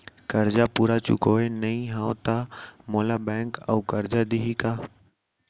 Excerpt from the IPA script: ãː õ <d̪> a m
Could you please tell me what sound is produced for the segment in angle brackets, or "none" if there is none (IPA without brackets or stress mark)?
t̪